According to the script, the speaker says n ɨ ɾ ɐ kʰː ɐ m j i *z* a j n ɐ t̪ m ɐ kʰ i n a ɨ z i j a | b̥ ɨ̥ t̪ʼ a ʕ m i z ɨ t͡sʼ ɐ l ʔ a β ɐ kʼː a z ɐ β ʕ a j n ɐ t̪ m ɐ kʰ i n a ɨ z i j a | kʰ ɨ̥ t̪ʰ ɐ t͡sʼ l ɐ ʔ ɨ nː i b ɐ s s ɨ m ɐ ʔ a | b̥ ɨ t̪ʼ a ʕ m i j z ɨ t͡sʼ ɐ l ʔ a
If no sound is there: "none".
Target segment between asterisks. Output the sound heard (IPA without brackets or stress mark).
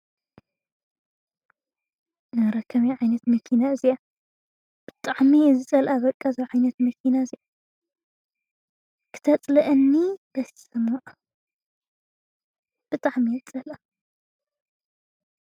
ʕ